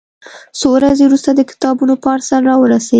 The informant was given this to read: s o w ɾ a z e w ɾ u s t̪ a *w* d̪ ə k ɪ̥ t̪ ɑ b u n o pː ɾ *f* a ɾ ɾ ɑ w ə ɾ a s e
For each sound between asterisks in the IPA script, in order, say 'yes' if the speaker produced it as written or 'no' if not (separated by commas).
no, no